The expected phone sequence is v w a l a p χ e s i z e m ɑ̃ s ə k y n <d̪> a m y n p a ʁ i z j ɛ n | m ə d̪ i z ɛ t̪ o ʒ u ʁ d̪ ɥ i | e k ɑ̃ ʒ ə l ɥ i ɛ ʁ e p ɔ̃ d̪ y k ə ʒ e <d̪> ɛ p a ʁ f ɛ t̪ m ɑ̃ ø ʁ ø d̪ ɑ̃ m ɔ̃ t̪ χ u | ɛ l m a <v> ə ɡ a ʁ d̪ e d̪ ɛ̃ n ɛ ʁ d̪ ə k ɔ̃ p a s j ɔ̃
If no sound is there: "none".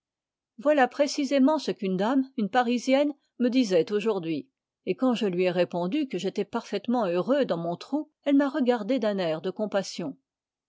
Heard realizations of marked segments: d̪, t̪, ʁ

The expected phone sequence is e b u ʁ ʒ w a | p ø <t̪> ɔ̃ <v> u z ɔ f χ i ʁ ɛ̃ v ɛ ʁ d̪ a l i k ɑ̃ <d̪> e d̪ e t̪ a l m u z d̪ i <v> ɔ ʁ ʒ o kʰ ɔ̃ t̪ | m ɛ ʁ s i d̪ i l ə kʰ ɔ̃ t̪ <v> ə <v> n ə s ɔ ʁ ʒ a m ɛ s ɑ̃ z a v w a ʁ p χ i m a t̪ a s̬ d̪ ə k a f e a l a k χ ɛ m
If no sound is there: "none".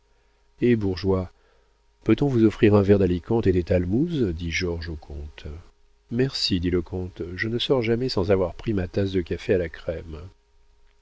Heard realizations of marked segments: t̪, v, t̪, ʒ, ʒ, none

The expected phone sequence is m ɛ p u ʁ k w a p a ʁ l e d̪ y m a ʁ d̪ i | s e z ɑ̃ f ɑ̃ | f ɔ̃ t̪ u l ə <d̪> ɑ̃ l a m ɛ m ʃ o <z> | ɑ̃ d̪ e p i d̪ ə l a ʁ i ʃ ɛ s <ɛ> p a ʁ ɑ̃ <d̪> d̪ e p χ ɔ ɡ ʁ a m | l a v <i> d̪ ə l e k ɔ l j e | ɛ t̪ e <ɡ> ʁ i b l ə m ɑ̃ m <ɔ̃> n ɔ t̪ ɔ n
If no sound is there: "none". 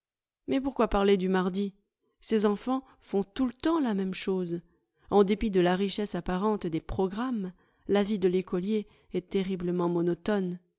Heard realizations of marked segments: t̪, z, a, t̪, i, none, ɔ

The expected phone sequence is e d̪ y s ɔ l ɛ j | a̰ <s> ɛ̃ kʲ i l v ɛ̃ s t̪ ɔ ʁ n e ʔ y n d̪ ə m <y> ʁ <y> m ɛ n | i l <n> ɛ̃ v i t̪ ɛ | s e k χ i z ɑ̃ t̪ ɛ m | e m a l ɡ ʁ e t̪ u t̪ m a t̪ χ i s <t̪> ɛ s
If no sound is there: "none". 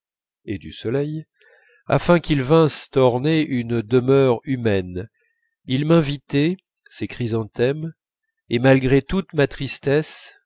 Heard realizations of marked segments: f, œ, y, m, t̪

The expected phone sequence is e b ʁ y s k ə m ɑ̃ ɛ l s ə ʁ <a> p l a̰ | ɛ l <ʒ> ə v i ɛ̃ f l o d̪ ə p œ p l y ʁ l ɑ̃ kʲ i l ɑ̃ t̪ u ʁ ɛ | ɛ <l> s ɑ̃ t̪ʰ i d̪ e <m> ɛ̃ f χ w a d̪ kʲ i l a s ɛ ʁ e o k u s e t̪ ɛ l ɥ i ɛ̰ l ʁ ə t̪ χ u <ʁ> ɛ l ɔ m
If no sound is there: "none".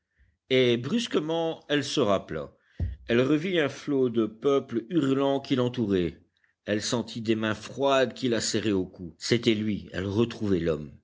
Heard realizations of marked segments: a, ʁ, l, m, v

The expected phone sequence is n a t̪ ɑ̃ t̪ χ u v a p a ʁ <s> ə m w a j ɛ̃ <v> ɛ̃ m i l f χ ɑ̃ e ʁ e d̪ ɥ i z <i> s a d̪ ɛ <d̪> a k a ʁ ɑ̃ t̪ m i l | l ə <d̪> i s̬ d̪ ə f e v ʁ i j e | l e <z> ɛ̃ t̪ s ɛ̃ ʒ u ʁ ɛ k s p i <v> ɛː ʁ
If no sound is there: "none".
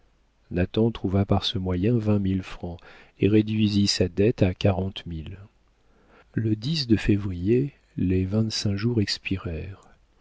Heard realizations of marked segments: s, v, i, t̪, d̪, v, ʁ

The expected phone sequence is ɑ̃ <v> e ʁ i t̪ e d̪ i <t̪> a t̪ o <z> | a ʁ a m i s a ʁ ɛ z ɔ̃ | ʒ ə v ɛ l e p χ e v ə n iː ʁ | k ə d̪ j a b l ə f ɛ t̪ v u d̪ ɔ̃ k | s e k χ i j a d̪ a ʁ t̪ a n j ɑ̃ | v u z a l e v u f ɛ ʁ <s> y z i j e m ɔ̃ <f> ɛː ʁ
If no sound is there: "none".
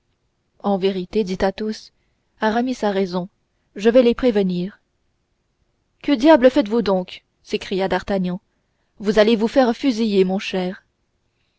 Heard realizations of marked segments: v, t̪, s, f, ʃ

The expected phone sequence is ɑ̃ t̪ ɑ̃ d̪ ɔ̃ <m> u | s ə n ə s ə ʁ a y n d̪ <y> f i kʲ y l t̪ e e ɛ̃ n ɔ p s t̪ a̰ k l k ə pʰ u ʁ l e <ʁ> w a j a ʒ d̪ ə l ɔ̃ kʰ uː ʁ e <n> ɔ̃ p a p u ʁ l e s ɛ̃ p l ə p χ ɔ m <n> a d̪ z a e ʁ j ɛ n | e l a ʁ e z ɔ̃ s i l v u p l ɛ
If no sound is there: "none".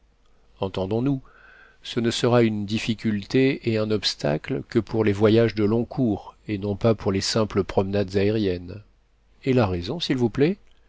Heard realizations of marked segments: n, i, v, n, n

